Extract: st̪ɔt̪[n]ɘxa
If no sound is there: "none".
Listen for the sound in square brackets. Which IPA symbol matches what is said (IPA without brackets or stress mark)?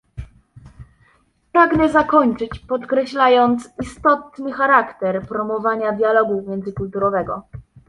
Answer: n